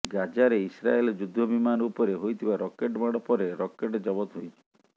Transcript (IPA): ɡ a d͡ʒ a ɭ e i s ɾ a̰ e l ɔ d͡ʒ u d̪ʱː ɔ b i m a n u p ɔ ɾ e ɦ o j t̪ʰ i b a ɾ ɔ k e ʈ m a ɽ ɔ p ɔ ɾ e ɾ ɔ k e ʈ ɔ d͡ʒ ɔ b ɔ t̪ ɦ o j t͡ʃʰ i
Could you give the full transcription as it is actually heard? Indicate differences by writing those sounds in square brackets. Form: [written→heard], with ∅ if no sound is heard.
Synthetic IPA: ɡ a d͡ʒ a [ɭ→ɾ] e i s ɾ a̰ e l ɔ d͡ʒ u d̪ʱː ɔ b i m a n u p ɔ ɾ e ɦ o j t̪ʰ i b a ɾ ɔ k e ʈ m a ɽ ɔ p ɔ ɾ e ɾ ɔ k e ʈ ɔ d͡ʒ ɔ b ɔ t̪ ɦ o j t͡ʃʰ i